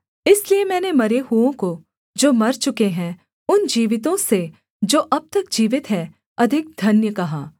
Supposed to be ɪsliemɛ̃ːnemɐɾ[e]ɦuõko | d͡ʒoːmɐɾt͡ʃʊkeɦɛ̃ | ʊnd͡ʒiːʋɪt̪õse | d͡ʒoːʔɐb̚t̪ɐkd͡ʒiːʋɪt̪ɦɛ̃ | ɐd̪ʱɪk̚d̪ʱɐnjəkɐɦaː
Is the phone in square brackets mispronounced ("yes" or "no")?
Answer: no